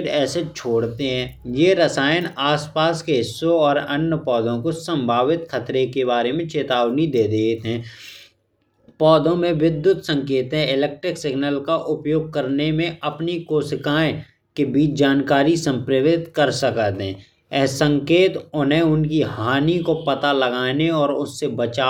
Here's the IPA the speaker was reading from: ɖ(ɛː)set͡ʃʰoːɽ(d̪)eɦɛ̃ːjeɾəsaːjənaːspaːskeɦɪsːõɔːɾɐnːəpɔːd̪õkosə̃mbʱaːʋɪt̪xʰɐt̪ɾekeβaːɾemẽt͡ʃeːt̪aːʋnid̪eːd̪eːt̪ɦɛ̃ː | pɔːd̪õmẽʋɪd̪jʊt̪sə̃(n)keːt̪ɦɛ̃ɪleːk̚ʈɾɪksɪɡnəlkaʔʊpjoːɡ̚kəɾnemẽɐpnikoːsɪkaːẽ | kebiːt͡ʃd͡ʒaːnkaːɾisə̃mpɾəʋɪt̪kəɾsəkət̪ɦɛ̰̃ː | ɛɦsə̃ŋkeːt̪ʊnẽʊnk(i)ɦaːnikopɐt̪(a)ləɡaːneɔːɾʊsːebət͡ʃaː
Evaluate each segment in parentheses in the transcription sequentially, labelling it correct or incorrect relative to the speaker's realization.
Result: correct, incorrect, incorrect, correct, correct

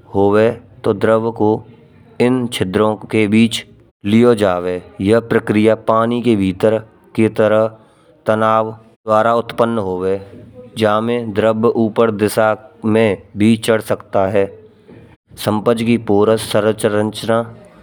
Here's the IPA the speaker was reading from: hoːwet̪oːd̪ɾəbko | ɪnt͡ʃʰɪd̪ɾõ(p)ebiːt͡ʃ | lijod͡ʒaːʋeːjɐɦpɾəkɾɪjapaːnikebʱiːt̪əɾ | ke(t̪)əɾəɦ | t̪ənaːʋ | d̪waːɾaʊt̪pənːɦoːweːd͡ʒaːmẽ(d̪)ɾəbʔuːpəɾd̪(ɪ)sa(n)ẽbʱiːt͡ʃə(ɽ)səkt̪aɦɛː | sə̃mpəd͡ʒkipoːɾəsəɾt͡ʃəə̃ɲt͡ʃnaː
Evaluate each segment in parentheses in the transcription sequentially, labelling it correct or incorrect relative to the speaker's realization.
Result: incorrect, correct, correct, correct, incorrect, correct

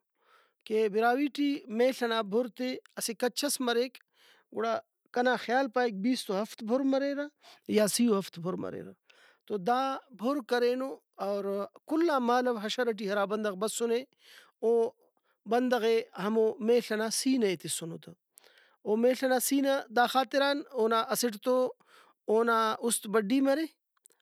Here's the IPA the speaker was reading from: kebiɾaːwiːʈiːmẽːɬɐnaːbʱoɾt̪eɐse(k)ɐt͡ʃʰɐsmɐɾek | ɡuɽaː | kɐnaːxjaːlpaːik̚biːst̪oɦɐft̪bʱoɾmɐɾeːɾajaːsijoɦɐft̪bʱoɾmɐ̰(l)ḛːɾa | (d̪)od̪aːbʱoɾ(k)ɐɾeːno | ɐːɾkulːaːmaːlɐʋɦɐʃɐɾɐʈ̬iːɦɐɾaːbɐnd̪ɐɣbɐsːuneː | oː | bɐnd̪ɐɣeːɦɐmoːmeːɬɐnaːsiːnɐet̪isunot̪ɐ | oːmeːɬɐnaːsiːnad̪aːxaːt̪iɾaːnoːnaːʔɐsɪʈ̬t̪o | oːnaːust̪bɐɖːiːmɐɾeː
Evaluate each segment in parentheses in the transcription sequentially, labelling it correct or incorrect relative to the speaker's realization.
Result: correct, incorrect, incorrect, correct

